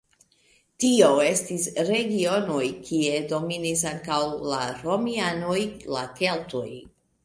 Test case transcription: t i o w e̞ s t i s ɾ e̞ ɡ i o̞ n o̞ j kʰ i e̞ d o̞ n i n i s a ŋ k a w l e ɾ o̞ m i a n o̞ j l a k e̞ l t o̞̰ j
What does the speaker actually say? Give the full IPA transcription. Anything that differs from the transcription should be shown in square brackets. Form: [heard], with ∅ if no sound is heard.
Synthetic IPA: t i o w e̞ s t i s ɾ e̞ ɡ i o̞ n o̞ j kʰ i e̞ d o̞ [m] i n i s a ŋ k a w l [a] ɾ o̞ m i a n o̞ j l a k e̞ l t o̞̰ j